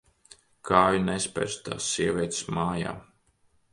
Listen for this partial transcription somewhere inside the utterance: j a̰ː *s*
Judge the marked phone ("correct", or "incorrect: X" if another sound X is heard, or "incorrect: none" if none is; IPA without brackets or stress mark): incorrect: none